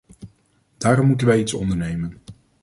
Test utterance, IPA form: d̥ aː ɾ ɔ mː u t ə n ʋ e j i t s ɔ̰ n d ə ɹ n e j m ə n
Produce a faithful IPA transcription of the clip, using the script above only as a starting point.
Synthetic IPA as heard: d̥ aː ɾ ɔ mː u t ə n ʋ ɛ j i t s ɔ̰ n d ə ɹ n e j m ə n